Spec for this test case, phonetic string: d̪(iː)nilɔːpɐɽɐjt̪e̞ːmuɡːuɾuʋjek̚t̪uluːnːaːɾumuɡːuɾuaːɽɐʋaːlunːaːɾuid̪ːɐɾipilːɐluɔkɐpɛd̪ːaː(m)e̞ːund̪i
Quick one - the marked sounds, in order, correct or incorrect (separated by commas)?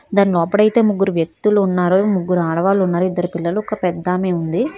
incorrect, correct